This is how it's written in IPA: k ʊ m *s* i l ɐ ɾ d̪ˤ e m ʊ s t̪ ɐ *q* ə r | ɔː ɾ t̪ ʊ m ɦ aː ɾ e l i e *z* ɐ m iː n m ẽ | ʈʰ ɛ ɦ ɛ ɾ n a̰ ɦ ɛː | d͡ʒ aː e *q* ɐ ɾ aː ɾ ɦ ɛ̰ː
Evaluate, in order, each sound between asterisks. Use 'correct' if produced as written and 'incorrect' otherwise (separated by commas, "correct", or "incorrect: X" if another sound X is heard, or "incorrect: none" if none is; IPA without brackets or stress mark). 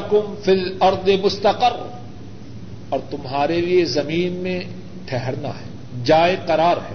incorrect: f, correct, correct, correct